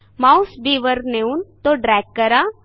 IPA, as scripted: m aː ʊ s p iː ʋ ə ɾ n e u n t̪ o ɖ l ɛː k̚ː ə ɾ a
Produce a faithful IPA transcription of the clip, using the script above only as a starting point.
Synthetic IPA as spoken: m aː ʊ s b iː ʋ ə ɾ n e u n t̪ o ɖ ɾ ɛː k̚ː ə ɾ a